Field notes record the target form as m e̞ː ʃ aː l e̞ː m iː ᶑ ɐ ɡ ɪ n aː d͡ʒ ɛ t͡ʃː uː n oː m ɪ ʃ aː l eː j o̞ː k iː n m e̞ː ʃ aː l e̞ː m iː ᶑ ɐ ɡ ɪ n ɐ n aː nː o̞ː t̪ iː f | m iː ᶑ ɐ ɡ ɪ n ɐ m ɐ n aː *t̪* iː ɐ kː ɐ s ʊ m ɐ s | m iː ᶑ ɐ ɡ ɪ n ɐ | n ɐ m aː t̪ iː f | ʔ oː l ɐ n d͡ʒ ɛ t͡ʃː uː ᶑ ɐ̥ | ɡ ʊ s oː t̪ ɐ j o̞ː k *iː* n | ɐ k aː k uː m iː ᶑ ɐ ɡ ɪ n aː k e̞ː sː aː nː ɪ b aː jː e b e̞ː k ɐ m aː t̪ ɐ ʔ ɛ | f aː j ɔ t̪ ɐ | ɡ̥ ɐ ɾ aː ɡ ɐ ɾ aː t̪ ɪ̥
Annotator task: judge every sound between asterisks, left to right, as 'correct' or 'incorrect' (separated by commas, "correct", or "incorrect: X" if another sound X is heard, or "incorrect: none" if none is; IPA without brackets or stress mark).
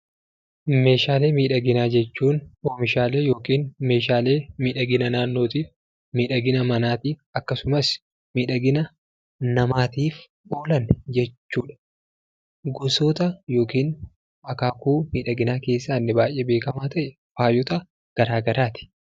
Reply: correct, correct